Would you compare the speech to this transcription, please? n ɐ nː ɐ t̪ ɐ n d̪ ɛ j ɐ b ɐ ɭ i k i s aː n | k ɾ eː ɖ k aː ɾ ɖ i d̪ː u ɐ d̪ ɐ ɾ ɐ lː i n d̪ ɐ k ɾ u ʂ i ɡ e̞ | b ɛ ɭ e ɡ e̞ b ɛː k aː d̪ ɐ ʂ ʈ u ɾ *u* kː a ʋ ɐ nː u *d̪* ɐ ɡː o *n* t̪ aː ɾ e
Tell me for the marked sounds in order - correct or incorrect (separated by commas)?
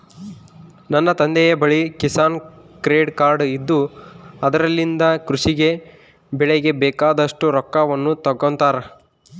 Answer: incorrect, incorrect, correct